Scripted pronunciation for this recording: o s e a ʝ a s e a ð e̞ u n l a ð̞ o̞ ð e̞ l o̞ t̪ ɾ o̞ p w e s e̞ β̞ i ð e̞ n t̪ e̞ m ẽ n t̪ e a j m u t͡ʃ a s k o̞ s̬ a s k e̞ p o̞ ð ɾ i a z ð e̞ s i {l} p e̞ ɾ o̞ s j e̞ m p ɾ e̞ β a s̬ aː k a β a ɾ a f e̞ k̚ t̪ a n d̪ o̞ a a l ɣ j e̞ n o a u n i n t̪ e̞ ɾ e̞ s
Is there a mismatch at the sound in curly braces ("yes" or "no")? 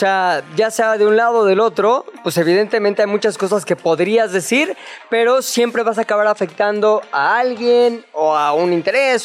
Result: yes